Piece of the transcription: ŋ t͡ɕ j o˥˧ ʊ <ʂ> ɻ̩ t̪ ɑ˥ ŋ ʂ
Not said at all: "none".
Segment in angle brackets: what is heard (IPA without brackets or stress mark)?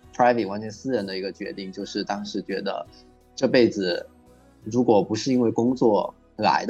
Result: ʂ